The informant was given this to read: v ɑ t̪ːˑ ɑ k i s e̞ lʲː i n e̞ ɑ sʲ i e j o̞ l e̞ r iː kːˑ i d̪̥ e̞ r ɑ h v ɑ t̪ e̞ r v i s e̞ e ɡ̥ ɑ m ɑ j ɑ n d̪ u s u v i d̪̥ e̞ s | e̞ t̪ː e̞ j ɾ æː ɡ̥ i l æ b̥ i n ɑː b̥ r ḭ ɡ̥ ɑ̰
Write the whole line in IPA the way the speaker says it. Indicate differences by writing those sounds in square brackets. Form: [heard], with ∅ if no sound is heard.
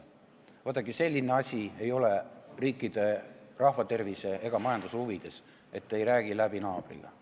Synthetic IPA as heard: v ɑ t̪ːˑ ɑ k i s e̞ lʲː i n e̞ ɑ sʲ i e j o̞ l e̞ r iː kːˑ i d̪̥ e̞ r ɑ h v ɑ t̪ e̞ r v i s e̞ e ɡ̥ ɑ m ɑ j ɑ n d̪ u s u v i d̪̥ e̞ s | e̞ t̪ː e̞ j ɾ æː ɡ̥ i l æ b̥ i n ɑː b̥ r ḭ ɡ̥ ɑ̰

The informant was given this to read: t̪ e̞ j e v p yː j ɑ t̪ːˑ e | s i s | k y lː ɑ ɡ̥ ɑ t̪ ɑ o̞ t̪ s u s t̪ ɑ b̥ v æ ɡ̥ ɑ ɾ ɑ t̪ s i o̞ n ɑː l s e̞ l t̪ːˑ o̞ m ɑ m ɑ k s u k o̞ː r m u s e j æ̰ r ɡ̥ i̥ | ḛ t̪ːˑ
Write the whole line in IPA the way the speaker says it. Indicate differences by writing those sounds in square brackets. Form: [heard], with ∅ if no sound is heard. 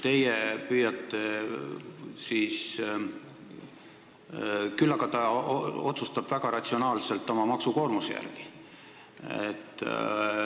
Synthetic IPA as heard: t̪ e̞ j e [∅] p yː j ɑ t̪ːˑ e | s i s | k y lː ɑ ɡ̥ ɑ t̪ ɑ o̞ t̪ s u s t̪ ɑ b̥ v æ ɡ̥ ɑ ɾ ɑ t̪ s i o̞ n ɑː l s e̞ l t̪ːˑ o̞ m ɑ m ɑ k s u k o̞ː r m u s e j æ̰ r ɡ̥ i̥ | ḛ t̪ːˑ

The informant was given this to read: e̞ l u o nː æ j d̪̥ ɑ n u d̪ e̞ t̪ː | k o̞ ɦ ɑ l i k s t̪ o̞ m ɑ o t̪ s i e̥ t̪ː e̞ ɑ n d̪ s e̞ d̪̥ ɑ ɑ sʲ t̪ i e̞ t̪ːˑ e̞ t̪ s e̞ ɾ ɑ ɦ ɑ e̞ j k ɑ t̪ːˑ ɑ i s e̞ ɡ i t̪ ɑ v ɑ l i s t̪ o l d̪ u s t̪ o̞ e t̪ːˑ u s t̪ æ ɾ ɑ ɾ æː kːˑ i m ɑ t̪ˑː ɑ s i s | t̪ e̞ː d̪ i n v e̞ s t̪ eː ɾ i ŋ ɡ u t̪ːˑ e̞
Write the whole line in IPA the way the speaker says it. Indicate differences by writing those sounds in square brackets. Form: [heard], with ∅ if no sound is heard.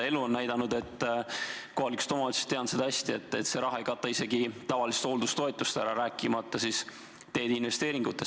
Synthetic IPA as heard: e̞ l u o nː æ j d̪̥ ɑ n u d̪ e̞ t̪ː | k o̞ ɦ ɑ l i k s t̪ o̞ m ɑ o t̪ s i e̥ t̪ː e̞ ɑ n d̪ s e̞ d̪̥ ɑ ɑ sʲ t̪ i e̞ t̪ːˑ e̞ t̪ s e̞ ɾ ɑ ɦ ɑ e̞ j k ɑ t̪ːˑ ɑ i s e̞ ɡ i t̪ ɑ v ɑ l i s t̪ o l d̪ u s t̪ o̞ e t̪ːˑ u s t̪ æ ɾ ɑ ɾ æː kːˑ i m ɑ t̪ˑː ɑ s i s | t̪ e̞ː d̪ i n v e̞ s t̪ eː ɾ i ŋ ɡ u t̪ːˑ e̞

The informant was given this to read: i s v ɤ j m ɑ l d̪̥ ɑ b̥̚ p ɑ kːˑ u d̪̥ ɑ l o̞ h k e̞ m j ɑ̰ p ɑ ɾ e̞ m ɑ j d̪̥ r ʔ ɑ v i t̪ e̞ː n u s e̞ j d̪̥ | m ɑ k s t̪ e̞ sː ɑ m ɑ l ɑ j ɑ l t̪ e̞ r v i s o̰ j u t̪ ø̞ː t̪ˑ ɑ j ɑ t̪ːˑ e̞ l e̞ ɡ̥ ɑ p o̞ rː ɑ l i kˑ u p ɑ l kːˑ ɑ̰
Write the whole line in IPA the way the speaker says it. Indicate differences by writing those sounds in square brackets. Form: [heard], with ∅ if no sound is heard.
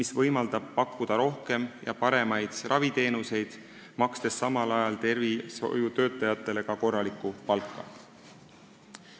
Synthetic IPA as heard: i s v ɤ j m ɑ l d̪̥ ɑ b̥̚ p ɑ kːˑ u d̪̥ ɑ [ɾ] o̞ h k e̞ m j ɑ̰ p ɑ ɾ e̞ m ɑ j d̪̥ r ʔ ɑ v i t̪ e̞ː n u s e̞ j d̪̥ | m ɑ k s t̪ e̞ sː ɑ m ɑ l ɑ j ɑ l t̪ e̞ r v i s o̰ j u t̪ ø̞ː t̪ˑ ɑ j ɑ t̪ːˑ e̞ l e̞ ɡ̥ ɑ [k] o̞ rː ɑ l i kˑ u p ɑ l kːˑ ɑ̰

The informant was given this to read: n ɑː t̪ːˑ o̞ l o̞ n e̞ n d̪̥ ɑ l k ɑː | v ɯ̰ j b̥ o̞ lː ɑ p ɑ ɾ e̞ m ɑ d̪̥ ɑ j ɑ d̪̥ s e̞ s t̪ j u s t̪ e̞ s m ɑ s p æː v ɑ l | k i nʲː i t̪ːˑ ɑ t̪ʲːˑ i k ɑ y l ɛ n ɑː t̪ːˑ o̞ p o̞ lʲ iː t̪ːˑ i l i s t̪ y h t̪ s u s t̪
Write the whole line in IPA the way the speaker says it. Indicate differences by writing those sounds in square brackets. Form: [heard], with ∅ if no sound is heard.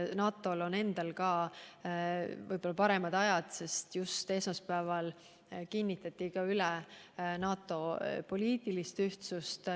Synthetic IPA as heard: n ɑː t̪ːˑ o̞ l o̞ n e̞ n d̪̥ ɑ l k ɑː | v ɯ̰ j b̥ o̞ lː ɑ p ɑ ɾ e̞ m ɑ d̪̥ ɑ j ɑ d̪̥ s e̞ s t̪ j u s t̪ e̞ s m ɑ s p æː v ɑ l | k i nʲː i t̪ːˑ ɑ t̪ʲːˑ i k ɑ y l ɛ n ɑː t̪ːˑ o̞ p o̞ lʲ iː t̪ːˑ i l i s t̪ y h t̪ s u s t̪

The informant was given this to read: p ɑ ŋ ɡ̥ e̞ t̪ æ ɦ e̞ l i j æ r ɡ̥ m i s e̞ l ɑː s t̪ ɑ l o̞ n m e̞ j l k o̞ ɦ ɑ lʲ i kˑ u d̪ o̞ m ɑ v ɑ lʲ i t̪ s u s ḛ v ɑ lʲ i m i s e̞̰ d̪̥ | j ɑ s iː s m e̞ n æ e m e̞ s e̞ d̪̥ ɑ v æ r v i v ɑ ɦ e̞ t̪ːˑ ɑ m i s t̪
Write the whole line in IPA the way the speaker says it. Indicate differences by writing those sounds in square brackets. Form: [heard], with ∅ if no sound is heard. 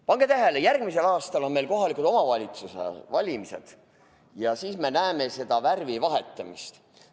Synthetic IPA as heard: p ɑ ŋ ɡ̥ e̞ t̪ æ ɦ e̞ l [e] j æ r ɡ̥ m i s e̞ l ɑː s t̪ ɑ l o̞ n m e̞ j l k o̞ ɦ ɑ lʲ i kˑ u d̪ o̞ m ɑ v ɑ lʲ i t̪ s u s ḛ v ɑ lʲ i m i s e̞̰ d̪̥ | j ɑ s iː s m e̞ n æ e m e̞ s e̞ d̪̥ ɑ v æ r v i v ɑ ɦ e̞ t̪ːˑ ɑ m i s t̪

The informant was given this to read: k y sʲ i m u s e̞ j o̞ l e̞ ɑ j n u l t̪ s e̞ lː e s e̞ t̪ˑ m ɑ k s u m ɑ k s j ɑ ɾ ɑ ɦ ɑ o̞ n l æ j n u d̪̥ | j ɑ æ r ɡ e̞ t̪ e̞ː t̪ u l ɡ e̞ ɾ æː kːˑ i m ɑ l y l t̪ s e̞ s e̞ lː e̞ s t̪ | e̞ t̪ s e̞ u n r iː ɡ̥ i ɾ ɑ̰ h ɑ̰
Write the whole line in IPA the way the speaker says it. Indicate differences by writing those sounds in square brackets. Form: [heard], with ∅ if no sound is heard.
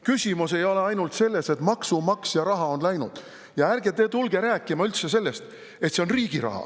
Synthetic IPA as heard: k y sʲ i m u s e̞ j o̞ l e̞ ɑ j n u l t̪ s e̞ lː e s e̞ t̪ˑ m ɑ k s u m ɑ k s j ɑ ɾ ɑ ɦ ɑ o̞ n l æ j n u d̪̥ | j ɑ æ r ɡ e̞ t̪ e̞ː t̪ u l ɡ e̞ ɾ æː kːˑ i m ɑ [∅] y l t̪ s e̞ s e̞ lː e̞ s t̪ | e̞ t̪ s e̞ [o] n r iː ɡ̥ i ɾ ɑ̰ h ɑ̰

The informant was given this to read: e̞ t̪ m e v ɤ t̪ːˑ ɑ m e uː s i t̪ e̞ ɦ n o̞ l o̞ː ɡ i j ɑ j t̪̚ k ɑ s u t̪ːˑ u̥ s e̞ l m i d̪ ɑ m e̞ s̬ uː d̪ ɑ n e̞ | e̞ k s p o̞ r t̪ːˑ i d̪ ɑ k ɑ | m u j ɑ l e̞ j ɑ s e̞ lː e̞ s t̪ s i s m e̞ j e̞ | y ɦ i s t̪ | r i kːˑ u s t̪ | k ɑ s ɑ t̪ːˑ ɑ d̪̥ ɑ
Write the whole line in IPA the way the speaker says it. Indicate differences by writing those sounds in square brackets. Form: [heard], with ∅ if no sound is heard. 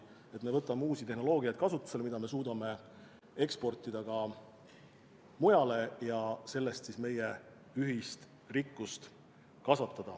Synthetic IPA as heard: e̞ t̪ m e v ɤ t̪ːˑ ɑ m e uː s i t̪ e̞ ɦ n o̞ l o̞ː ɡ i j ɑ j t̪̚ k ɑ s u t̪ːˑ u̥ s e̞ l m i d̪ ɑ m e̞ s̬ uː d̪ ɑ [m] e̞ | e̞ k s p o̞ r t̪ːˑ i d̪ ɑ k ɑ | m u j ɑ l e̞ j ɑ s e̞ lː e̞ s t̪ s i s m e̞ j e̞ | y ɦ i s t̪ | r i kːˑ u s t̪ | k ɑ s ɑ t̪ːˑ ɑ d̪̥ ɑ

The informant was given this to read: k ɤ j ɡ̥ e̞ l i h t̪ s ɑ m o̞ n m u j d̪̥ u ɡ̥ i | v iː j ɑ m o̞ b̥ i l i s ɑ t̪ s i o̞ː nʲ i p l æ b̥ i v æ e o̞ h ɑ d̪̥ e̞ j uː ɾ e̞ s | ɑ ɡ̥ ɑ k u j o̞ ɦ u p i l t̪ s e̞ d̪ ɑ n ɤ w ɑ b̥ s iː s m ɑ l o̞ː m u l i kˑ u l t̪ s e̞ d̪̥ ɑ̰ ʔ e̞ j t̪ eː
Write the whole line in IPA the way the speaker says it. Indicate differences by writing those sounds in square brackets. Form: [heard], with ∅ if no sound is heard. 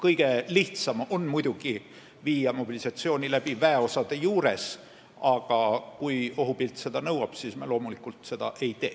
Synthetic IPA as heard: k ɤ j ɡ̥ e̞ l i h t̪ s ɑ m o̞ n m u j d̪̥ u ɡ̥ i | v iː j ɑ m o̞ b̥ i l i s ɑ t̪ s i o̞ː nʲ i [∅] l æ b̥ i v æ e o̞ [s] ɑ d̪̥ e̞ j uː ɾ e̞ s | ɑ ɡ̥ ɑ k u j o̞ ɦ u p i l t̪ s e̞ d̪ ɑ n ɤ w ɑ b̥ s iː s m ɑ l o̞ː m u l i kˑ u l t̪ s e̞ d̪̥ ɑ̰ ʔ e̞ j t̪ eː

